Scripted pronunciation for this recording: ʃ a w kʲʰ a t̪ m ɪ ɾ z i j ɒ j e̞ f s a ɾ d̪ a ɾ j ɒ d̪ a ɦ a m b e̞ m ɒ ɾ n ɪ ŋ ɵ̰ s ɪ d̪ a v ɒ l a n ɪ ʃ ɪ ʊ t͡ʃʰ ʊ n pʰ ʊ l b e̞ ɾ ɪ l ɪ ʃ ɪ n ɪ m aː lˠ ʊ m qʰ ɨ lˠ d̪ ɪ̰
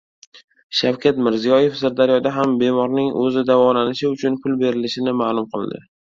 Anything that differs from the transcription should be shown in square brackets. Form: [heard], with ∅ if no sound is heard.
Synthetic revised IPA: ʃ a w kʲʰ a t̪ m ɪ ɾ z i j ɒ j e̞ f s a ɾ d̪ a ɾ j ɒ d̪ a ɦ a m b e̞ m ɒ ɾ n ɪ ŋ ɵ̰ [z] ɪ d̪ a v ɒ l a n ɪ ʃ ɪ ʊ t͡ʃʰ ʊ n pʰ ʊ l b e̞ ɾ ɪ l ɪ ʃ ɪ n ɪ m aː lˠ ʊ m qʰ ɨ lˠ d̪ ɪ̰